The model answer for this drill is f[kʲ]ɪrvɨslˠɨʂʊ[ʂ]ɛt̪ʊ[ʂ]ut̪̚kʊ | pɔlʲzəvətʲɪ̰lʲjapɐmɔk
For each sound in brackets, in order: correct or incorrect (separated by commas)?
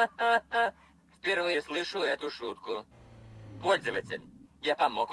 incorrect, incorrect, correct